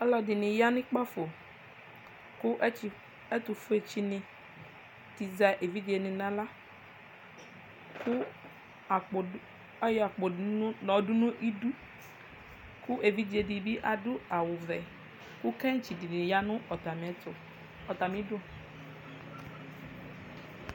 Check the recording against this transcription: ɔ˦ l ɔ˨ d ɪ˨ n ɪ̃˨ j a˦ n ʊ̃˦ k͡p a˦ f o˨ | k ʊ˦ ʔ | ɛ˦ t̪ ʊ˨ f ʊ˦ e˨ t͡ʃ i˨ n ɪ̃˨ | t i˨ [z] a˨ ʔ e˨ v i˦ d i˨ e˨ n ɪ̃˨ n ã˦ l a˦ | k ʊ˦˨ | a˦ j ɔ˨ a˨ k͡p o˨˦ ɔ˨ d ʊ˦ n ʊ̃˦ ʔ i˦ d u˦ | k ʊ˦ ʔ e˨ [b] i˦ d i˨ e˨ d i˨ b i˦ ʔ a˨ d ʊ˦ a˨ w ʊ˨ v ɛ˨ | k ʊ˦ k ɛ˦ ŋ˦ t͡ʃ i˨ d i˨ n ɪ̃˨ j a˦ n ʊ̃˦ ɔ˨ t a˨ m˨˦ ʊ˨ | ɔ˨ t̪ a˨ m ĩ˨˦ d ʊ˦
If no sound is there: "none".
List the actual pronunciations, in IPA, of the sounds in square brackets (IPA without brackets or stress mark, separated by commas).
z, v